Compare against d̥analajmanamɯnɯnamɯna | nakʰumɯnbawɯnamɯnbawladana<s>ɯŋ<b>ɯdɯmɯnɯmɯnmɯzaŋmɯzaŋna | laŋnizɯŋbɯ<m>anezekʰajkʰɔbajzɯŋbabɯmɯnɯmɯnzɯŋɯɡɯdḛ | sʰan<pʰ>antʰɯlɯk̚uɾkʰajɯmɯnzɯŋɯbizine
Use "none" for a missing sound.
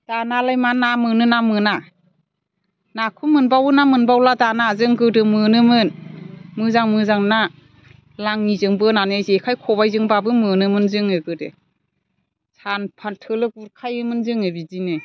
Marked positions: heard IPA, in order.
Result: z, ɡ, n, pʰ

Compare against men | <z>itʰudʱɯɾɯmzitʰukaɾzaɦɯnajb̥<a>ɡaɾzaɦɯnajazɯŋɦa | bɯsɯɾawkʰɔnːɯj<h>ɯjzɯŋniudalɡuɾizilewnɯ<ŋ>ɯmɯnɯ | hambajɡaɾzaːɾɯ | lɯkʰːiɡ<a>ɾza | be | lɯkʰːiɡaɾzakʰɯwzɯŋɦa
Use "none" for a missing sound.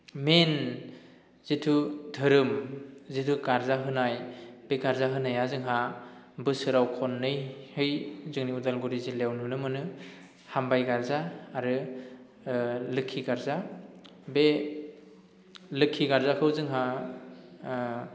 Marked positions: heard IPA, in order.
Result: z, e, h, n, a

